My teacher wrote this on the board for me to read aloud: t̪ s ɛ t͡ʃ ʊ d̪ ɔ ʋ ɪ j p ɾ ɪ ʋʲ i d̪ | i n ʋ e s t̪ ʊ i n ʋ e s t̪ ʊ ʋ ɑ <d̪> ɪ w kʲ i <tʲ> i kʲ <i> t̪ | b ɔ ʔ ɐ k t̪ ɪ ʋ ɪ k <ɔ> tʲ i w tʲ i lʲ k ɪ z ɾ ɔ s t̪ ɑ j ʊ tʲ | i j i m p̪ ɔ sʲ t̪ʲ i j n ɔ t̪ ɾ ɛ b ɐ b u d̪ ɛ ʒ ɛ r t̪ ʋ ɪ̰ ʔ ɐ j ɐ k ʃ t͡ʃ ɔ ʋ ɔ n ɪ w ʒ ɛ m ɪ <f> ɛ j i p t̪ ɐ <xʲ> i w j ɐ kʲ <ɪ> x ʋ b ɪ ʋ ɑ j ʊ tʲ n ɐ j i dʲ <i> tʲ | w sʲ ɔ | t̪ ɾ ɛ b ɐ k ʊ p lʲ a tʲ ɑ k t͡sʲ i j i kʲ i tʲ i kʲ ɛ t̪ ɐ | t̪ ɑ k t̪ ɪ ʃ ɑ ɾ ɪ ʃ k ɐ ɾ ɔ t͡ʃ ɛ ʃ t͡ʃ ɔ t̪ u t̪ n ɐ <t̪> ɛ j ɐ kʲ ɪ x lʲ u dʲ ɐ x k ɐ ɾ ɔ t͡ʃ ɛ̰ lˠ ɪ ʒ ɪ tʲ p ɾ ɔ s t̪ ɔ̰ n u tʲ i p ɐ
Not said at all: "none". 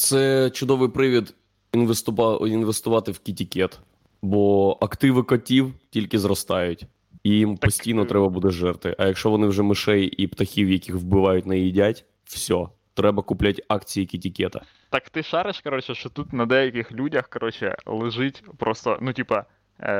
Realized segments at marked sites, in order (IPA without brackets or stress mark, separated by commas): t̪, tʲ, ɛ, ɔ, ʃ, xʲ, i, a, d̪